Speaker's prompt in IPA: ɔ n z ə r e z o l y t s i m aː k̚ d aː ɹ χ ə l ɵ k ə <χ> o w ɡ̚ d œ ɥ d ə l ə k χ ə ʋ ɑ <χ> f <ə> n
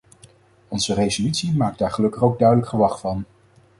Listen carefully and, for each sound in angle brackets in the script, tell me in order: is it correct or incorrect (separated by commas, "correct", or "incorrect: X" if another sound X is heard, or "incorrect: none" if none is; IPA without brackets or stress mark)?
correct, correct, incorrect: ɑ